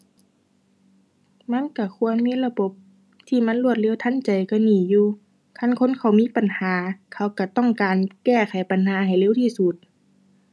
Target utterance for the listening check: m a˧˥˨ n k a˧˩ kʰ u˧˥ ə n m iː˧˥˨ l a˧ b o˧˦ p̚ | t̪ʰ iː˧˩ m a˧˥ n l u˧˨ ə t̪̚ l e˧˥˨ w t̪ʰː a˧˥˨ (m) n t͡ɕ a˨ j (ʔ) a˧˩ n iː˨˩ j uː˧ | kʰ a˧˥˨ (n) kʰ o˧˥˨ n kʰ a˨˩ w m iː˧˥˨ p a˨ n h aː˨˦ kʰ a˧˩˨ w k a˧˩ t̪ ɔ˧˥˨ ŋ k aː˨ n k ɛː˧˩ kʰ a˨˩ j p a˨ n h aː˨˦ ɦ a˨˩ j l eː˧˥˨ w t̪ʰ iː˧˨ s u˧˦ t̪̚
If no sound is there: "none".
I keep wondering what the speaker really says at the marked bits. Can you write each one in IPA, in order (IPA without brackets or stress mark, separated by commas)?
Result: none, k, n